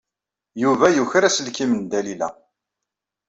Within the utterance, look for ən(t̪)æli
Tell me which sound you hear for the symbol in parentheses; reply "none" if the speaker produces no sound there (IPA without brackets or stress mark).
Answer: d̪